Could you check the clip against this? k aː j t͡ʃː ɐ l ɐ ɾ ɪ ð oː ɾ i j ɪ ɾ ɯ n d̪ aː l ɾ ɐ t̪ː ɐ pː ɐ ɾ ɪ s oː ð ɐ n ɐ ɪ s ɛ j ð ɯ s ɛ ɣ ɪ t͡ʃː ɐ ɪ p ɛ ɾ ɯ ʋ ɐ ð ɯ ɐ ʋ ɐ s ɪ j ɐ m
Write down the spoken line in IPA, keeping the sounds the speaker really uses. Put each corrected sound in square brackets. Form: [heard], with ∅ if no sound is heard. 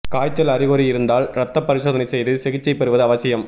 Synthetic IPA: k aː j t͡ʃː ɐ l ɐ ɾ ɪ [ɣ] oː ɾ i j ɪ ɾ ɯ n d̪ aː l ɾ ɐ t̪ː ɐ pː ɐ ɾ ɪ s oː ð ɐ n ɐ ɪ s ɛ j ð ɯ s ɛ ɣ ɪ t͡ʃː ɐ ɪ p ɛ ɾ ɯ ʋ ɐ ð ɯ ɐ ʋ ɐ s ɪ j ɐ m